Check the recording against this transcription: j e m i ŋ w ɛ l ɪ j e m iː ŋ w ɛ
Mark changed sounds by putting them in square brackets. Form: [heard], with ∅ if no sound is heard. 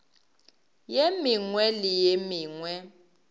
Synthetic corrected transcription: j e m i ŋ w ɛ l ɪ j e m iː ŋ w ɛ